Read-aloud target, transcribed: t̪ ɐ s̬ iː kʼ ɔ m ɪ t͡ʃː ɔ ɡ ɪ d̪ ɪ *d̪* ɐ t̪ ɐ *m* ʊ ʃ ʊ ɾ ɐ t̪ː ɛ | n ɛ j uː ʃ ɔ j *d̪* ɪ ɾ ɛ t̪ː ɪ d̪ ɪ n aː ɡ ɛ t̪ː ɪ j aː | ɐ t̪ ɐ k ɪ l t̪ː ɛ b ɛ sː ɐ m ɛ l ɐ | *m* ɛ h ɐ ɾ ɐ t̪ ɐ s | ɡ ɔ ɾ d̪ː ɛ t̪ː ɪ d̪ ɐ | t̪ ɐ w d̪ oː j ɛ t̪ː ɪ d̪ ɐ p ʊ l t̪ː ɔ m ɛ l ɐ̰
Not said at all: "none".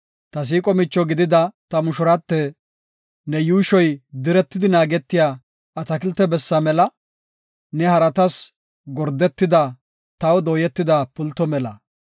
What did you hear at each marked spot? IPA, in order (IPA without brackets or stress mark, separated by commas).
d̪, m, d̪, n